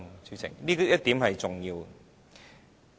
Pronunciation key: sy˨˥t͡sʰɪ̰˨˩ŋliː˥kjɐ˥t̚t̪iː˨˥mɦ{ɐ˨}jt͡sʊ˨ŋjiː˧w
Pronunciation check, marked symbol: correct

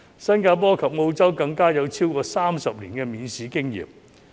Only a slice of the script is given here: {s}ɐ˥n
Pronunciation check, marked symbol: correct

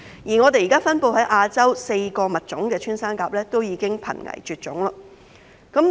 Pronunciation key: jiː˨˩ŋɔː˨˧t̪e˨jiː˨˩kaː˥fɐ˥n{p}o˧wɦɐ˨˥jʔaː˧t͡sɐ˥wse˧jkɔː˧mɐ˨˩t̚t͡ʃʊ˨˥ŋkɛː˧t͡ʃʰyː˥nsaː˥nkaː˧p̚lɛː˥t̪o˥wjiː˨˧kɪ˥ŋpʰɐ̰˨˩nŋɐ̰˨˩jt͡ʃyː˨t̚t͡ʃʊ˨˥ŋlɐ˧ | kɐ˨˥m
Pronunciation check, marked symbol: correct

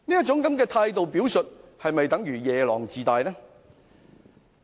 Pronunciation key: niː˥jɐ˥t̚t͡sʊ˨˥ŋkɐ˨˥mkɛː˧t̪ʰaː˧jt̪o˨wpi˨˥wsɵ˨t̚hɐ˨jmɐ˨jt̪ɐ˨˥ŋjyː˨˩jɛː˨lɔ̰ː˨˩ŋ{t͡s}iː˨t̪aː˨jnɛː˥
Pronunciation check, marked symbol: correct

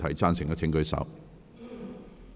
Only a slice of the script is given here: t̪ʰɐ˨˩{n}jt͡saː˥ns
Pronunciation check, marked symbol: incorrect: none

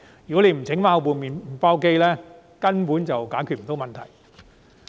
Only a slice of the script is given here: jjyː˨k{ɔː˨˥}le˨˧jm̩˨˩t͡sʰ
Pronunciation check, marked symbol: incorrect: ɔ˨˥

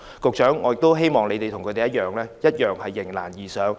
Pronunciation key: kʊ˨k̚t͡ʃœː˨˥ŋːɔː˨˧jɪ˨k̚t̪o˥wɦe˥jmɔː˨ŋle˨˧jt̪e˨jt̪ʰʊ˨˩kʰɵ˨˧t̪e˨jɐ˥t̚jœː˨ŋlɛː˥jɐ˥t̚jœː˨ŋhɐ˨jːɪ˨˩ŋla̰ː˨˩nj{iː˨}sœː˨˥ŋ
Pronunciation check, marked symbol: correct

